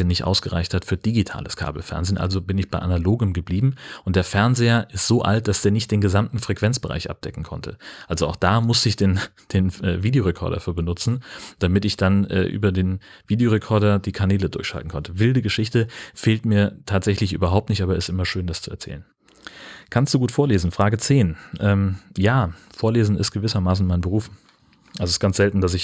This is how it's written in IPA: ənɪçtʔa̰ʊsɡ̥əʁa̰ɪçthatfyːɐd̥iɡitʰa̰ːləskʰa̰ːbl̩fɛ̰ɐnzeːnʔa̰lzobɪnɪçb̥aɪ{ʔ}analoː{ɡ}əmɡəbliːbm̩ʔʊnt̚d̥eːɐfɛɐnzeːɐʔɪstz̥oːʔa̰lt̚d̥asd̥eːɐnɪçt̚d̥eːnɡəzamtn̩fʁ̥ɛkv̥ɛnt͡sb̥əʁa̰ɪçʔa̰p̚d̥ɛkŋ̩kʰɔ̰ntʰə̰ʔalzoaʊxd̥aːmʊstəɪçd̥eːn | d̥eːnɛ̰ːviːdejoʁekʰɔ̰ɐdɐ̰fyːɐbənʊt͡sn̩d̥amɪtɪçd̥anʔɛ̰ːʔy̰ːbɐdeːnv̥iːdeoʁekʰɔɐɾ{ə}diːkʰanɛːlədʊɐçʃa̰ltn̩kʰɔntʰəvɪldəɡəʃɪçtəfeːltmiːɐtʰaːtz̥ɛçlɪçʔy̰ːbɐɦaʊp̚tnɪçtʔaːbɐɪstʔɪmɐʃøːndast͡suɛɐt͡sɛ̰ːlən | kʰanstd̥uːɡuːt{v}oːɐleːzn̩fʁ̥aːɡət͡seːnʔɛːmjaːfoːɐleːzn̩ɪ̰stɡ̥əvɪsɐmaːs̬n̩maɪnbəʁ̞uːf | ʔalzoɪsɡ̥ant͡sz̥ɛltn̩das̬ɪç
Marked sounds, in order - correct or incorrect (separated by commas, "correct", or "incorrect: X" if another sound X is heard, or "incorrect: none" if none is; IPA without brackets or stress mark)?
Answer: correct, correct, incorrect: ɐ, incorrect: f